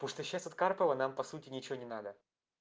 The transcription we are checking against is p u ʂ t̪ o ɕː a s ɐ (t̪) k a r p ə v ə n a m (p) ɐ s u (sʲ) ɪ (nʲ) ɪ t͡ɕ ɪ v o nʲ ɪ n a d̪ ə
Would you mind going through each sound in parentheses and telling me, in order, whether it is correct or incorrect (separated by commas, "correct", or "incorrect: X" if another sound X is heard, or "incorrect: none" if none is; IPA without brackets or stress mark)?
correct, correct, incorrect: tʲ, correct